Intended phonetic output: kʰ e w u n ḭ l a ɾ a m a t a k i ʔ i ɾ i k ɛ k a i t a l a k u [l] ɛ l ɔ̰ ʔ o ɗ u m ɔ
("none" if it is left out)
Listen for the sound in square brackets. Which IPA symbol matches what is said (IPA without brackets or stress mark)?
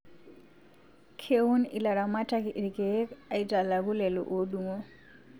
l